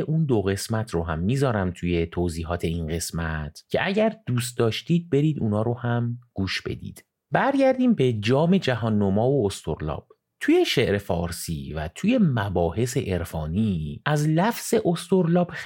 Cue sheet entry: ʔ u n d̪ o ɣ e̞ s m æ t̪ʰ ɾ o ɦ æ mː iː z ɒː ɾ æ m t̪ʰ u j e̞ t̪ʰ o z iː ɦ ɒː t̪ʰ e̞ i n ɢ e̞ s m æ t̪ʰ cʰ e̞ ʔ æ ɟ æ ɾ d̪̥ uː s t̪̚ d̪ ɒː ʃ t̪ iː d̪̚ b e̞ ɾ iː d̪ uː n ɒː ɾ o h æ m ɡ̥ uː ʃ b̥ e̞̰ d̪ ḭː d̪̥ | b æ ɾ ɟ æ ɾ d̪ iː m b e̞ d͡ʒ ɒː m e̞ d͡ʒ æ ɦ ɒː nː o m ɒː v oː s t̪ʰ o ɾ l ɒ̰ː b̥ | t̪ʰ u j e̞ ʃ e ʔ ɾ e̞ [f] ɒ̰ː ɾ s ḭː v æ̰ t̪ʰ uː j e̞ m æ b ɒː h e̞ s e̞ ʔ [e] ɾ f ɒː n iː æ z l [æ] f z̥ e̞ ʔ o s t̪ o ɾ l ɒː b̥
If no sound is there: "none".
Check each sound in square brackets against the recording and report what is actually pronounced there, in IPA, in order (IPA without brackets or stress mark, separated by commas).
f, e, æ